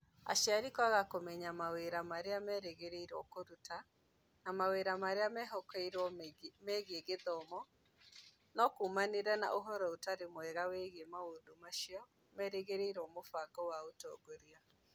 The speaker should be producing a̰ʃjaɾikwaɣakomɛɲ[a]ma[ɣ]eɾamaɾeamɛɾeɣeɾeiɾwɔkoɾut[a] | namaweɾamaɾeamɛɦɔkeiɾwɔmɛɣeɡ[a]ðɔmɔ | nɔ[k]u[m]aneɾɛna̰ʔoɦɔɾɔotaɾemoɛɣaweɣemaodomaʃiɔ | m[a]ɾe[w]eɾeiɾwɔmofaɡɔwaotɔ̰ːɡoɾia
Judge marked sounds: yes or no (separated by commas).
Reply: yes, no, yes, no, yes, yes, no, no